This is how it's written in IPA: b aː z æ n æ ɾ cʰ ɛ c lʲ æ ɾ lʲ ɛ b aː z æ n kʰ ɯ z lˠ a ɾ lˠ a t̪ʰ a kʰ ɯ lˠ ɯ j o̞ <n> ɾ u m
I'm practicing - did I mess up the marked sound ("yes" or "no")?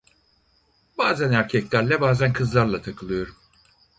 yes